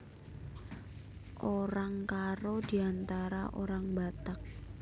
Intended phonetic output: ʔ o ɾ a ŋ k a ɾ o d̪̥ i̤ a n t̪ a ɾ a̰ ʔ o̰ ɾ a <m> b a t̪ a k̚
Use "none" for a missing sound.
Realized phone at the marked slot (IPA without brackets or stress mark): ŋ